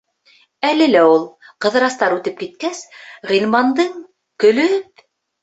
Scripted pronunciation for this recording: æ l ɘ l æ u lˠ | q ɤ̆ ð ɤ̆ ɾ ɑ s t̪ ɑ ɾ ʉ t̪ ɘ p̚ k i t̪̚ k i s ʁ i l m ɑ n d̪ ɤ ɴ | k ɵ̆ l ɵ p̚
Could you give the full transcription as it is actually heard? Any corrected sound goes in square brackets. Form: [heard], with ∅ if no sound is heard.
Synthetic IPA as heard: æ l ɘ l æ u lˠ | q ɤ̆ ð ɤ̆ ɾ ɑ s t̪ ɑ ɾ ʉ t̪ ɘ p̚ k i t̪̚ k [æ] s ʁ i l m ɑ n d̪ ɤ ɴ | k ɵ̆ l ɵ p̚